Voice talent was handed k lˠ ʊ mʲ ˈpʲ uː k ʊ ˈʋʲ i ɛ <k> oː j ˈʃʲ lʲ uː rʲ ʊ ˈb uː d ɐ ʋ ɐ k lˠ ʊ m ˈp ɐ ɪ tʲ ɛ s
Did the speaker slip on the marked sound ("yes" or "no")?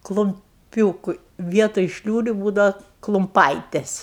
yes